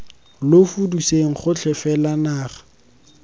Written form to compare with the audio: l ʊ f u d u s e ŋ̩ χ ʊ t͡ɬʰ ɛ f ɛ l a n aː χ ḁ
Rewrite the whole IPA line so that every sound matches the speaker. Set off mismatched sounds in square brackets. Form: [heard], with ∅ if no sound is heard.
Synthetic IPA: l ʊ f u d u s e ŋ̩ χ ʊ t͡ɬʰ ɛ f ɛ l a n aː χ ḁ